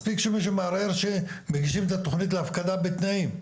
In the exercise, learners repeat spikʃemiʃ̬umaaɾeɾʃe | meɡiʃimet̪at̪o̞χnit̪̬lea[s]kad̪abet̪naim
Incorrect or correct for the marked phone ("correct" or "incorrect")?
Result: incorrect